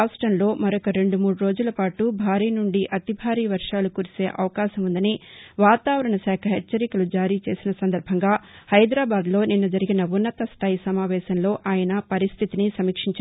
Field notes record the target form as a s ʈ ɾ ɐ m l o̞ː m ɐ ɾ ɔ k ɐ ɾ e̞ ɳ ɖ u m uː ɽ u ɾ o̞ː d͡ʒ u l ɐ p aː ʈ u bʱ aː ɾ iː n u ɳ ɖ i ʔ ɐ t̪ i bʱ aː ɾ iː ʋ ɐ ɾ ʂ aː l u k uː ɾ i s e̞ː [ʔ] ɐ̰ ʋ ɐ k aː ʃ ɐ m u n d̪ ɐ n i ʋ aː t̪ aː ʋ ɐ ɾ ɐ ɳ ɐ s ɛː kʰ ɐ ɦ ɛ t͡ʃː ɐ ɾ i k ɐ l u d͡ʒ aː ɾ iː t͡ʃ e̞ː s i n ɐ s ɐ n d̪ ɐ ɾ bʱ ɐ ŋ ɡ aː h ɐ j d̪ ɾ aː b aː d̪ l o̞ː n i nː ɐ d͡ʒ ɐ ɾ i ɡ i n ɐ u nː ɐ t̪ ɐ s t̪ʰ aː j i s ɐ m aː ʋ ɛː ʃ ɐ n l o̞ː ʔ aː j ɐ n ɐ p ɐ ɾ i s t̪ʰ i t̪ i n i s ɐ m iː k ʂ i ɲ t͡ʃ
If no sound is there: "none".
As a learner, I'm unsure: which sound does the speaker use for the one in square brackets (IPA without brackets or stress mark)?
ʔ